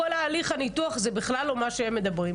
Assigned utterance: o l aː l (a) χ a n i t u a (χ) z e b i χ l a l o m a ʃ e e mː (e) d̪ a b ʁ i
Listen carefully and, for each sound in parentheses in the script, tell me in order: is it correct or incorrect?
incorrect: i, correct, correct

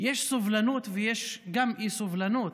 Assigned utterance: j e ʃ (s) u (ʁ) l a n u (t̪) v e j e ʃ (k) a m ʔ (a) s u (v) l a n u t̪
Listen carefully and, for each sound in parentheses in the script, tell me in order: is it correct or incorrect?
correct, incorrect: v, correct, incorrect: ɡ, incorrect: i, correct

